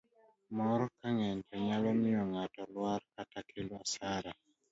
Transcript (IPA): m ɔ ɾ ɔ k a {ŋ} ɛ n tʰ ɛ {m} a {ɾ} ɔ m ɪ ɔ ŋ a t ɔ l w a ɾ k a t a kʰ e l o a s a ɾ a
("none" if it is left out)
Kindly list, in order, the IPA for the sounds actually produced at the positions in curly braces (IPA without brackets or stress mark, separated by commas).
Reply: ŋ, ɲ, l